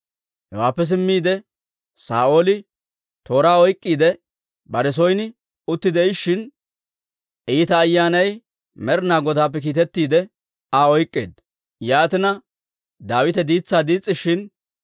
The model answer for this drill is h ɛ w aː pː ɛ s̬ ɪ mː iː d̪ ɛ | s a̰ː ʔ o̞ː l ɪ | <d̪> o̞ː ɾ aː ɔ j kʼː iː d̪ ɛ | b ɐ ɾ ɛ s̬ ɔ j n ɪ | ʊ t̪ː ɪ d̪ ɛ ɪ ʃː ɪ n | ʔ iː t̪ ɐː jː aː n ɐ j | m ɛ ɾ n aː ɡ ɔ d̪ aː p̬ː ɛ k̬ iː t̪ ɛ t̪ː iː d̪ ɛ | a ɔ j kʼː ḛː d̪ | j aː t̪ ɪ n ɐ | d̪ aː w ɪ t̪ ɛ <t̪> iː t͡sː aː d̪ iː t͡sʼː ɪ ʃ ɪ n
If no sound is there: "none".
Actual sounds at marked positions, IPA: t̪, d̪

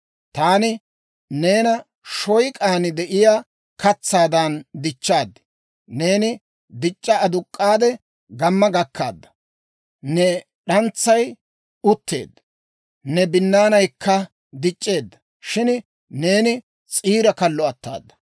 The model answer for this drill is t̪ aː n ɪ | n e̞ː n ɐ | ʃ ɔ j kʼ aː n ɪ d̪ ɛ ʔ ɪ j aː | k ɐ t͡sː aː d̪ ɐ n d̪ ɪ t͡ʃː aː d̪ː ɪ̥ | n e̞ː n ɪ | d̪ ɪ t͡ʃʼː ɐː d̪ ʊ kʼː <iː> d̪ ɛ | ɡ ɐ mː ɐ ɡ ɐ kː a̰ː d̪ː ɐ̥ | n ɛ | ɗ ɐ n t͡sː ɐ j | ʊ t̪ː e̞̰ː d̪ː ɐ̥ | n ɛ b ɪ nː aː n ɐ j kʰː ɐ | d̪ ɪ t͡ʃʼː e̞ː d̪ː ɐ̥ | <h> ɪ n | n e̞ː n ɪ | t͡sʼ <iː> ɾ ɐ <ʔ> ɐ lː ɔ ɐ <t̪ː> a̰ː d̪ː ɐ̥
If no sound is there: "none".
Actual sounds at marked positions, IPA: aː, ʃ, iː, k, t̪ː

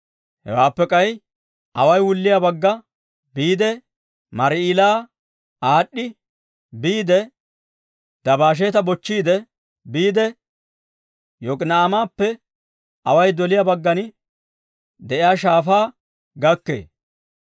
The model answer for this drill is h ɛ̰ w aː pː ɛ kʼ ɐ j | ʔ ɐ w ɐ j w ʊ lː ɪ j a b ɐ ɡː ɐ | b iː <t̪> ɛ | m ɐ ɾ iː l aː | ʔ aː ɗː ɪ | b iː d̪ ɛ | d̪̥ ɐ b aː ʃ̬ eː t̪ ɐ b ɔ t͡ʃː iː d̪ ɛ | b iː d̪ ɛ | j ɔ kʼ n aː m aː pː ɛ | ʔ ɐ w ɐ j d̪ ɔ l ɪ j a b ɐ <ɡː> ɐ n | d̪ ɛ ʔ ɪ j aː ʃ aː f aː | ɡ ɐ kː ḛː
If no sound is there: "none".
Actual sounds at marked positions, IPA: d̪, ɡː

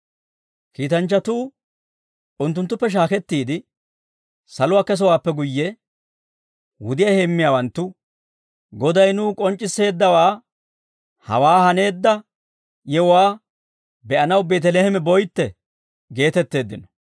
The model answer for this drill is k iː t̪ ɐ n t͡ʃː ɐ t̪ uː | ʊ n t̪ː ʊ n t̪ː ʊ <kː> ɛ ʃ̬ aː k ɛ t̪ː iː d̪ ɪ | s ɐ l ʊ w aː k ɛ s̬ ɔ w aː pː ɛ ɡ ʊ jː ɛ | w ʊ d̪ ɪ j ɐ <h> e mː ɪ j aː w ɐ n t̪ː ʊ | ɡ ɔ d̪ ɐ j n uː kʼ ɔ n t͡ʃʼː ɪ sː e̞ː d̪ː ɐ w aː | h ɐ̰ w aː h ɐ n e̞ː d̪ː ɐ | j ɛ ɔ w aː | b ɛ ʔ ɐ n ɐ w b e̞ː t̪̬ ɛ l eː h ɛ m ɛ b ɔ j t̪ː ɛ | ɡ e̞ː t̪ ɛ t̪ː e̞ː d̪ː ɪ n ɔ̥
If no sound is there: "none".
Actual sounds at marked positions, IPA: pː, h

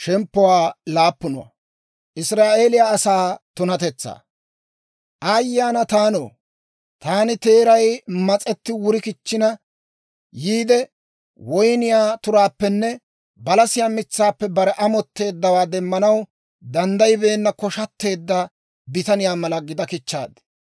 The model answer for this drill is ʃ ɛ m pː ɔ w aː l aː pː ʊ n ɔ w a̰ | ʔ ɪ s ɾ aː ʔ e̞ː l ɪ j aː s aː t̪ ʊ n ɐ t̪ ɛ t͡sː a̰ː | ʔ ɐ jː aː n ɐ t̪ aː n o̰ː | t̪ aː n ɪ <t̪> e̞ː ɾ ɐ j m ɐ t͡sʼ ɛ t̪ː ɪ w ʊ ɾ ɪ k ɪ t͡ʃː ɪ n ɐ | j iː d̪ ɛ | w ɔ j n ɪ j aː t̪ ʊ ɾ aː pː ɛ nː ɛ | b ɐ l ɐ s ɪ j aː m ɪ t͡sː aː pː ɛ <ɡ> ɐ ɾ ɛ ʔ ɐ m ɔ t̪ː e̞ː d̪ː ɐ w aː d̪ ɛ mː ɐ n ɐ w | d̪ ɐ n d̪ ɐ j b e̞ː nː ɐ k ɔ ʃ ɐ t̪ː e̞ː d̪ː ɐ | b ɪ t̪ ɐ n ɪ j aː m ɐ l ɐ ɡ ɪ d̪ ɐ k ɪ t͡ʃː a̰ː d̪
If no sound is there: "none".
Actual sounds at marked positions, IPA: t̪, b

